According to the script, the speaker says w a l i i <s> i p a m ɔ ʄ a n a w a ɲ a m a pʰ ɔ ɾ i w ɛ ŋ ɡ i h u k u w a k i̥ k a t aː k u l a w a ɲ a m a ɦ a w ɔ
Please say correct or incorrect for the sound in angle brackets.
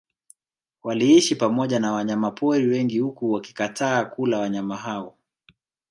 incorrect